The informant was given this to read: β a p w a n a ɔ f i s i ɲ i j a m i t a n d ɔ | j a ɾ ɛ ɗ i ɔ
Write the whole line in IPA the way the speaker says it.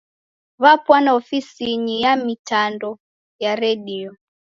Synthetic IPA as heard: β a p w a n a ɔ f i s i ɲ i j a m i t a n d ɔ | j a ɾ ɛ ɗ i ɔ

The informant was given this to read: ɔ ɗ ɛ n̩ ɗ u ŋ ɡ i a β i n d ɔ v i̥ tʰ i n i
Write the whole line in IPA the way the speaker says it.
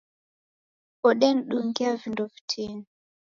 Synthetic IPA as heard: ɔ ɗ ɛ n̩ ɗ u ŋ ɡ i a v i n d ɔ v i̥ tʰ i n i

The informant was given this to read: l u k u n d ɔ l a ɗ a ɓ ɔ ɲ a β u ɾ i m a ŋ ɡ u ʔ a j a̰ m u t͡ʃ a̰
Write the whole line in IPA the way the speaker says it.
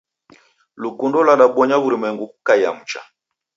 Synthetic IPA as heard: l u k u n d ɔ l a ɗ a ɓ ɔ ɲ a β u ɾ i m ɛ ŋ ɡ u k a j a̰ m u t͡ʃ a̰

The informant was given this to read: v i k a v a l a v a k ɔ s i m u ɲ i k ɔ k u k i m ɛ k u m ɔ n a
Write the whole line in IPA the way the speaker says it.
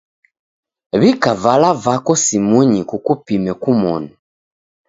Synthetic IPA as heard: β i k a v a l a v a k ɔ s i m u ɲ i k u k u p i m ɛ k u m ɔ n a

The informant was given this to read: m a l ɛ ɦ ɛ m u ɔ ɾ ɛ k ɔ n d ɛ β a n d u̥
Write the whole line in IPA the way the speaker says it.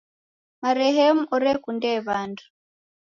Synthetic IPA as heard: m a ɾ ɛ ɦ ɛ m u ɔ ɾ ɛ k u n d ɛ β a n d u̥

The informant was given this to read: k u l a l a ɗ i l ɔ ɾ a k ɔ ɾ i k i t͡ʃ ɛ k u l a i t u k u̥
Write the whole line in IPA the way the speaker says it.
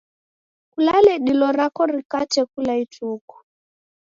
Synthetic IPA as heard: k u l a l ɛ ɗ i l ɔ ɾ a k ɔ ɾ i k a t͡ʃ ɛ k u l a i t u k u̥

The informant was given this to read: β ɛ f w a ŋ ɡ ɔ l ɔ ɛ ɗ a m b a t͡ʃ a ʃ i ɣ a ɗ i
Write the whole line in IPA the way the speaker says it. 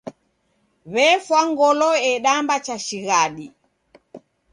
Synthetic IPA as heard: β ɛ f w a ŋ ɡ ɔ l ɔ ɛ ɗ a m b a t͡ʃ a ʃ i ɣ a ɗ i

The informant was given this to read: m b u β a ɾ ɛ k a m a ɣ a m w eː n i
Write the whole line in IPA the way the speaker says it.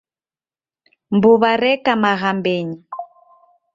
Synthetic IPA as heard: m b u β a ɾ ɛ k a m a ɣ a m b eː ɲ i

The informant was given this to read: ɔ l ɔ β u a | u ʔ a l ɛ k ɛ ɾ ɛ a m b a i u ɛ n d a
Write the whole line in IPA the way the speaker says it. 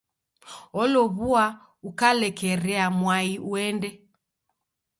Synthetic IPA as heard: ɔ l ɔ β u a | u k a l ɛ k ɛ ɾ ɛ a m w a i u ɛ n d ɛ

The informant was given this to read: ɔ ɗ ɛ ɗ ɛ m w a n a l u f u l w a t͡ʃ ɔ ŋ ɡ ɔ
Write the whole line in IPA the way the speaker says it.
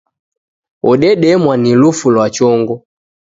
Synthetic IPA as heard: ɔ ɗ ɛ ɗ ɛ m w a n i l u f u l w a t͡ʃ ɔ ŋ ɡ ɔ

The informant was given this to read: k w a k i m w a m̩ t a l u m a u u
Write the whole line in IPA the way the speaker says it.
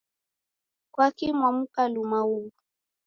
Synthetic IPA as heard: k w a k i m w a m̩ k a l u m a u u

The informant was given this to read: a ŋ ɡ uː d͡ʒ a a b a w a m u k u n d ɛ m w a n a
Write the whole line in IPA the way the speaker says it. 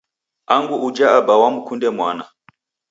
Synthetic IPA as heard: a ŋ ɡ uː d͡ʒ a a b a w a m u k u n d ɛ m w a n a

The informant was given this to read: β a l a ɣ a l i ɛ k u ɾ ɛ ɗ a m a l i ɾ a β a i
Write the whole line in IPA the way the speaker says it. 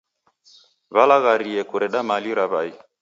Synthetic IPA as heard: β a l a ɣ a ɾ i ɛ k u ɾ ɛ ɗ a m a l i ɾ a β a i

